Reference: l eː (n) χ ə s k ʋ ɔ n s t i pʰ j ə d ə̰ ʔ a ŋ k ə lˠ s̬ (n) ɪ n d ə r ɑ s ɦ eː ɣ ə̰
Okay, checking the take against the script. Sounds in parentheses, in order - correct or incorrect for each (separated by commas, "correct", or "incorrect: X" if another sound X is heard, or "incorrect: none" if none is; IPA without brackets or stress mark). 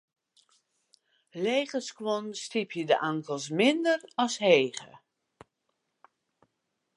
incorrect: none, incorrect: m